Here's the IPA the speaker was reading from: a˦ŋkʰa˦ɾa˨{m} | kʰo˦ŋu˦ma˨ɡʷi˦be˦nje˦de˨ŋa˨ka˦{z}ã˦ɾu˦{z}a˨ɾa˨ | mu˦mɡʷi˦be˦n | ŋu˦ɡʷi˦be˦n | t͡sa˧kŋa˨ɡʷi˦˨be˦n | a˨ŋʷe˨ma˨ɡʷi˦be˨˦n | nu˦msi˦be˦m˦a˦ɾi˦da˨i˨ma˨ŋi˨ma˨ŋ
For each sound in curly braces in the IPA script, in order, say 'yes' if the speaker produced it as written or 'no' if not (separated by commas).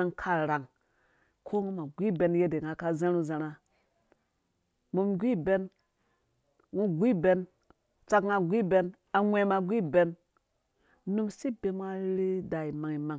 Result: no, yes, yes